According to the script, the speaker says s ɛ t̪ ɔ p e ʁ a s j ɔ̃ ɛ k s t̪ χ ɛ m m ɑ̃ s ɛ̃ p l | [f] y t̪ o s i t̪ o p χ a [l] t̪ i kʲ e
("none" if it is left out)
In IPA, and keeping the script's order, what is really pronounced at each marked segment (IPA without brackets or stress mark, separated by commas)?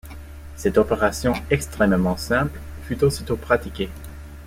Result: f, none